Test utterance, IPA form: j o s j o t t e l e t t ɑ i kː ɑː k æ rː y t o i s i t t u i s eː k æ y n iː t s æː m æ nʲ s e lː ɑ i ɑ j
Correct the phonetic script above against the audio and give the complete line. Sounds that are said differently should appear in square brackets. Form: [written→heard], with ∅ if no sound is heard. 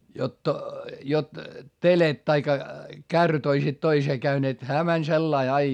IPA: j o [s→t] j o t t e l e t t ɑ i kː [ɑː→ɑ] k æ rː y t o i s i t t [u→o] i s eː k æ y n [iː→eː] t [s→h] æː m æ nʲ s e lː ɑ i ɑ [j→i]